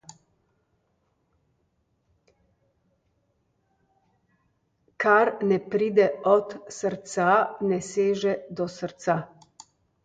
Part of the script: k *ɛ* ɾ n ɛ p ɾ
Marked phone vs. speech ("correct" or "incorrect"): incorrect